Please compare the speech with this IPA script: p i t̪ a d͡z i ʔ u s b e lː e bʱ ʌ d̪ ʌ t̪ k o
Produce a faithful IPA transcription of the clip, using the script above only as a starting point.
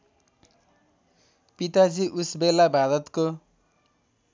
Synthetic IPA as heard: p i t̪ a d͡z i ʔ u s b e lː a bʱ a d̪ ʌ t̪ k o